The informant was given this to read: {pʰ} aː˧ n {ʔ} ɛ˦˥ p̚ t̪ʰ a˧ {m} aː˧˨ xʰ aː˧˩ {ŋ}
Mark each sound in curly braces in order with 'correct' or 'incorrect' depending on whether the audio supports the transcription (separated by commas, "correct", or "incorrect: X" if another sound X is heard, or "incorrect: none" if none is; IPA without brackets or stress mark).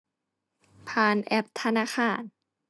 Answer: correct, correct, incorrect: n, incorrect: n